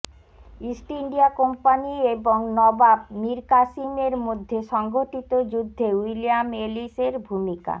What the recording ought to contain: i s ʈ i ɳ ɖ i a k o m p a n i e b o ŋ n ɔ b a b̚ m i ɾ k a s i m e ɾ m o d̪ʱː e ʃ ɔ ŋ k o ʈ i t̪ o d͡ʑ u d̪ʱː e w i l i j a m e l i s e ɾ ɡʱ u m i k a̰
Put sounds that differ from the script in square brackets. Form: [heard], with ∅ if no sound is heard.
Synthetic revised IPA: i s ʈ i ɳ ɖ i a k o m p a n i e b o ŋ n ɔ b a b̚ m i ɾ k a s i m e ɾ m o d̪ʱː e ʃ ɔ ŋ [ɡ] o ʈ i t̪ o d͡ʑ u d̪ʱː e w i l i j a m e l i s e ɾ [bʱ] u m i k a̰